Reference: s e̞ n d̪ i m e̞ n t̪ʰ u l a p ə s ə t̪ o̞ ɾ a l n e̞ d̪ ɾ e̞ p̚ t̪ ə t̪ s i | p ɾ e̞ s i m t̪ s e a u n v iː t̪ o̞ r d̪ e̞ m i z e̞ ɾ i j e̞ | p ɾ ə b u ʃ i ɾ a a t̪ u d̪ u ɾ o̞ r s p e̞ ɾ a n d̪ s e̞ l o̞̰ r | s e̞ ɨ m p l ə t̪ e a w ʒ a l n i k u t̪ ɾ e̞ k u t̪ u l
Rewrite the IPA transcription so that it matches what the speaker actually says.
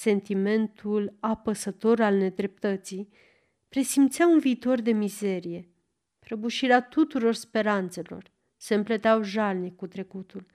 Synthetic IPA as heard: s e̞ n t̪ i m e̞ n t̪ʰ u l a p ə s ə t̪ o̞ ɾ a l n e̞ d̪ ɾ e̞ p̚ t̪ ə t̪ s i | p ɾ e̞ s i m t̪ s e a u n v iː t̪ o̞ r d̪ e̞ m i z e̞ ɾ i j e̞ | p ɾ ə b u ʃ i ɾ e a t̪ u t̪ u ɾ o̞ r s p e̞ ɾ a n t̪ s e̞ l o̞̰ r | s e̞ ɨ m p l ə t̪ e a w ʒ a l n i k u t̪ ɾ e̞ k u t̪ u l